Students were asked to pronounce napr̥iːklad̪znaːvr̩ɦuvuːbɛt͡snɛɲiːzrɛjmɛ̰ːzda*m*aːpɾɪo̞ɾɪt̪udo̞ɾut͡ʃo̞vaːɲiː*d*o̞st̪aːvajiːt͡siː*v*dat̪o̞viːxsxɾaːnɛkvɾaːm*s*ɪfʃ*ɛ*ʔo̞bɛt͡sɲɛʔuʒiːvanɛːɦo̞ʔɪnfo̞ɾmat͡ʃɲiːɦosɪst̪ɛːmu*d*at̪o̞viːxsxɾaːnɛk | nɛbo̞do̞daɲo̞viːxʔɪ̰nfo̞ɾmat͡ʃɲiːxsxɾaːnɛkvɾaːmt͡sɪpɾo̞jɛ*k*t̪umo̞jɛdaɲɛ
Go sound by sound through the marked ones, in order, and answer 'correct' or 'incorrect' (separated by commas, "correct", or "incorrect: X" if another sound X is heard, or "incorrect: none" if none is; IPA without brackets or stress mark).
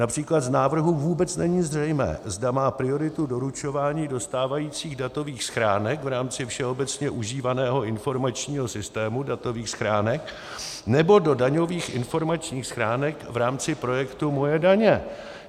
correct, correct, incorrect: ɣ, incorrect: t͡s, correct, correct, correct